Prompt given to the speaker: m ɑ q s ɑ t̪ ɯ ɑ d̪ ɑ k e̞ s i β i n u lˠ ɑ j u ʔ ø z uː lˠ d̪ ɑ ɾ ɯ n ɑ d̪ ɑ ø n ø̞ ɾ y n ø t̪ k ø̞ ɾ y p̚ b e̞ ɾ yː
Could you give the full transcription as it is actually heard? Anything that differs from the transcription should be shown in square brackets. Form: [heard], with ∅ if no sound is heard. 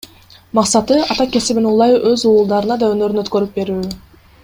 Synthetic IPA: m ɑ q s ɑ t̪ ɯ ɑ [t̪] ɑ k e̞ s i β i n u lˠ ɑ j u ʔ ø z uː lˠ d̪ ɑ ɾ ɯ n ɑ d̪ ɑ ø n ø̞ ɾ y n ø t̪ k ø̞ ɾ y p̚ b e̞ ɾ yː